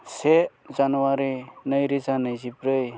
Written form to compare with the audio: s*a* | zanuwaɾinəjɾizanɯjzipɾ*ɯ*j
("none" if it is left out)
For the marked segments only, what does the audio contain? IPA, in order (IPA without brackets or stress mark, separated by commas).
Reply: e, ɯ